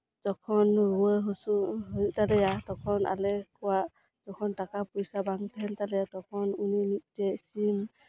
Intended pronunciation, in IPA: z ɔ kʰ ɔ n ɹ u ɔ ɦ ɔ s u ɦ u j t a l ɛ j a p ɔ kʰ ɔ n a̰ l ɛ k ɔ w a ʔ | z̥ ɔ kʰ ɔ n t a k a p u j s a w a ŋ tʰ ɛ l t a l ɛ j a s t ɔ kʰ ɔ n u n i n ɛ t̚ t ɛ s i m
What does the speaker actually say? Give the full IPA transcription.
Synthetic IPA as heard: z ɔ kʰ ɔ n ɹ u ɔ ɦ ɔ s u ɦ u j t a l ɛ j a t ɔ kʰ ɔ n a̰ l ɛ k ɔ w a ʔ | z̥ ɔ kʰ ɔ n t a k a p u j s a b a ŋ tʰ ɛ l t a l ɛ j a t ɔ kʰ ɔ n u n i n i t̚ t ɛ s i m